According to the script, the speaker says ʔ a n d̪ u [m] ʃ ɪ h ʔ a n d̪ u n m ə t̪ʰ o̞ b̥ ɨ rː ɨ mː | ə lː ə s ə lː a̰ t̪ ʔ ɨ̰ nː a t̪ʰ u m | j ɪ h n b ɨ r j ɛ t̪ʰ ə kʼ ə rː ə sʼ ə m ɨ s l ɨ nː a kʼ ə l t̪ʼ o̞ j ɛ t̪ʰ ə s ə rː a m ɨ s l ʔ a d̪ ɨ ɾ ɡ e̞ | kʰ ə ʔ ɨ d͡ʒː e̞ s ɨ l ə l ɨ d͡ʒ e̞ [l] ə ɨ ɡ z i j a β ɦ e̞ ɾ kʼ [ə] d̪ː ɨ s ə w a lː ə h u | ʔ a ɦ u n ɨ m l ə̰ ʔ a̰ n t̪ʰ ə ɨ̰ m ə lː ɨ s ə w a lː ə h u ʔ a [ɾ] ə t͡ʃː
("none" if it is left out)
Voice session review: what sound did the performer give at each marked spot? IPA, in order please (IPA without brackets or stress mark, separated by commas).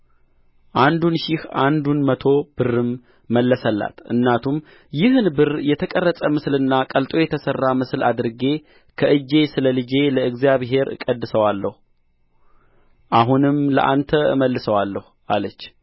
n, l, ə, l